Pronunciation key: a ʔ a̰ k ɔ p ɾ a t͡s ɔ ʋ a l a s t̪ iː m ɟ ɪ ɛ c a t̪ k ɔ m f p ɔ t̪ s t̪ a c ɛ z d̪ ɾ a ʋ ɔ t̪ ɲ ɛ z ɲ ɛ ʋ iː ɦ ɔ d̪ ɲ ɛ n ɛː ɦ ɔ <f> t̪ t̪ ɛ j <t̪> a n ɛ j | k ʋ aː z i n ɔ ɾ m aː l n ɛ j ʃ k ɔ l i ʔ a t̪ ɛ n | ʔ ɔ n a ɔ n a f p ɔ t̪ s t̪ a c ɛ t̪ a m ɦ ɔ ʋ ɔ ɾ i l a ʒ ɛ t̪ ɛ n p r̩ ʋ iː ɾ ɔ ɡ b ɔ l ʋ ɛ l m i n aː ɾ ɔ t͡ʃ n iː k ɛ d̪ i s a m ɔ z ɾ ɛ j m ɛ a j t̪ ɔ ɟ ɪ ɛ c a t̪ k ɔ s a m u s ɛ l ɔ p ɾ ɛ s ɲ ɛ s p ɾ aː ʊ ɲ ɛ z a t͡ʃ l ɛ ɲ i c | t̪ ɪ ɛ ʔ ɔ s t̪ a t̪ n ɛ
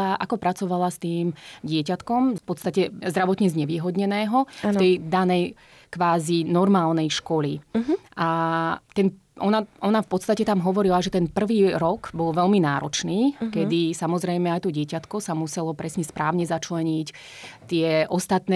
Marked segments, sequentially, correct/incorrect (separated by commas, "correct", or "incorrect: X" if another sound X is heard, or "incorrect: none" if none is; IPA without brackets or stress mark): correct, incorrect: d̪